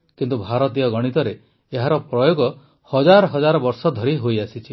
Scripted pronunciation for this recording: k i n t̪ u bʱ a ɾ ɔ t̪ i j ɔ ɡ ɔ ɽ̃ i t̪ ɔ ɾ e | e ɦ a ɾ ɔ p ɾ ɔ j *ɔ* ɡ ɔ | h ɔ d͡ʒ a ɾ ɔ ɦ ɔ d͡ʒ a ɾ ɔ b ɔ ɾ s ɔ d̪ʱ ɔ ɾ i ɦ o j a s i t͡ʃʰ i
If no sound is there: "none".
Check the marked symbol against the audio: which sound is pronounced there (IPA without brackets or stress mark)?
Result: o